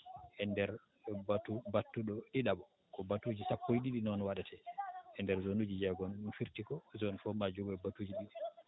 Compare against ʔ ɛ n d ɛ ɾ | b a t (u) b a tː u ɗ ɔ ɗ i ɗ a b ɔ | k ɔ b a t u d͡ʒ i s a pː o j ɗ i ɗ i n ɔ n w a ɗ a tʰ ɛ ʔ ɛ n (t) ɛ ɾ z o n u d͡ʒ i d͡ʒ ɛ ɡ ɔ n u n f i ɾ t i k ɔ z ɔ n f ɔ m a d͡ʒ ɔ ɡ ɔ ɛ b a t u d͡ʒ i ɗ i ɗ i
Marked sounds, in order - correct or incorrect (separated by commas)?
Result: correct, incorrect